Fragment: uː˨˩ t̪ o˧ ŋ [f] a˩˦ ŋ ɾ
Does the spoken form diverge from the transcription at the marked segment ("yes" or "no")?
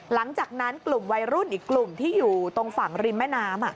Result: no